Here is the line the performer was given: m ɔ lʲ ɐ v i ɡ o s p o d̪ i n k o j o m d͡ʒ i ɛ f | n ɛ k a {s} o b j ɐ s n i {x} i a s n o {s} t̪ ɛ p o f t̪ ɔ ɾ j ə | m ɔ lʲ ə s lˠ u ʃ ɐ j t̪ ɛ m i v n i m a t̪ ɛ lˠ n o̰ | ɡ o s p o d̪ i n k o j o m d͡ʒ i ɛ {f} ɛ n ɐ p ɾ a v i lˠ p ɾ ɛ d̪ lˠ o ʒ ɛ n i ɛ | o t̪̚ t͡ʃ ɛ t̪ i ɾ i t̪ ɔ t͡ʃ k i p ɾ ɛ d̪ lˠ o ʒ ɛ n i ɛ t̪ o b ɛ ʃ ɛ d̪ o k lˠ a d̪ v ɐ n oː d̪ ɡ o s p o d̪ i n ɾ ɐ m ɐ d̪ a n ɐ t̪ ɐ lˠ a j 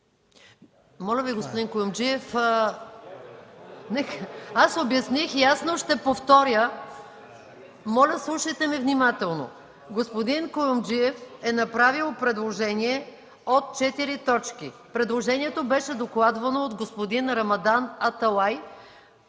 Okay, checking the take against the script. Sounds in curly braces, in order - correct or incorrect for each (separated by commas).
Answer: correct, correct, incorrect, correct